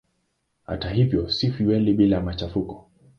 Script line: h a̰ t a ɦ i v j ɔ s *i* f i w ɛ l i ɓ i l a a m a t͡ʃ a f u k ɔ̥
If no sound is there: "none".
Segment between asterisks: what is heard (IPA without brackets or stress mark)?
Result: i